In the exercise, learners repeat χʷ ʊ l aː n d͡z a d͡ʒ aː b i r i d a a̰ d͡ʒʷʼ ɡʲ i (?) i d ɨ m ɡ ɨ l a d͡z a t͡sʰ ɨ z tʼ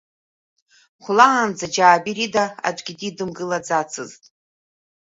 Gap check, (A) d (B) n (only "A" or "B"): A